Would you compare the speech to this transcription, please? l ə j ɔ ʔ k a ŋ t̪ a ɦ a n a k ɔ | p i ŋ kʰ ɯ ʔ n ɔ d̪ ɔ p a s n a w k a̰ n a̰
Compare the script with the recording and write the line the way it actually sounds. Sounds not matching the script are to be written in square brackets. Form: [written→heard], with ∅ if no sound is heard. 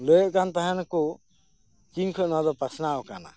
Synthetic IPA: l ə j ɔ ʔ k a [ŋ→n] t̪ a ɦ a n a k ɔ | [p→k] i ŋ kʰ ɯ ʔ n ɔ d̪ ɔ p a s n a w k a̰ n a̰